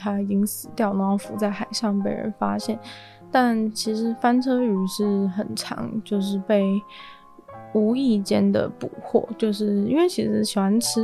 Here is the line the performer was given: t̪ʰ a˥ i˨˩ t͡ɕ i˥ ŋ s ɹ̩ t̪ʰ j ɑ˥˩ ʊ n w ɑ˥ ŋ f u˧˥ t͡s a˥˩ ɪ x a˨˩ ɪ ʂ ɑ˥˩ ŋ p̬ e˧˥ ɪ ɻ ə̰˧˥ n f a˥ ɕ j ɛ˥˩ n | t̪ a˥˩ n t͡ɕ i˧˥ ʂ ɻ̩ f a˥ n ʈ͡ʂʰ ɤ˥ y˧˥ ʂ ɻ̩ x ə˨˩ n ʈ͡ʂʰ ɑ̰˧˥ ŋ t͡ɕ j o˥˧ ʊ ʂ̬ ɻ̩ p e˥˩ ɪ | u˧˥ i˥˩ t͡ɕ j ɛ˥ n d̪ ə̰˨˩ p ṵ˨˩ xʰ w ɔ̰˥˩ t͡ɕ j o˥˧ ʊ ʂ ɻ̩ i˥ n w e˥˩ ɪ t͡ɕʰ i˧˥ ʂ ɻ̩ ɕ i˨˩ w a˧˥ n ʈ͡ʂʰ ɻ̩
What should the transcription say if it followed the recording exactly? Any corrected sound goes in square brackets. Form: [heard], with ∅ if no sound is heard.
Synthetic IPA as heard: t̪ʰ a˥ i˨˩ t͡ɕ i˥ ŋ s ɹ̩ [t̪] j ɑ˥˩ ʊ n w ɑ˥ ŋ f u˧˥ t͡s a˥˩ ɪ x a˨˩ ɪ ʂ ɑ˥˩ ŋ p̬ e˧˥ ɪ ɻ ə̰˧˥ n f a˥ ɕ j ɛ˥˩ n | t̪ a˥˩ n [t͡ɕʰ] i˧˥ ʂ ɻ̩ f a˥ n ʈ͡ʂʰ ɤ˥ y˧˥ ʂ ɻ̩ x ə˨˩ n ʈ͡ʂʰ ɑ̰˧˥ ŋ t͡ɕ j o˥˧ ʊ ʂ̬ ɻ̩ p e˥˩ ɪ | u˧˥ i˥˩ t͡ɕ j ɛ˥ n d̪ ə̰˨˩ p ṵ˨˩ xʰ w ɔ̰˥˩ t͡ɕ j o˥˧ ʊ ʂ ɻ̩ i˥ n w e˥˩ ɪ t͡ɕʰ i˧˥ ʂ ɻ̩ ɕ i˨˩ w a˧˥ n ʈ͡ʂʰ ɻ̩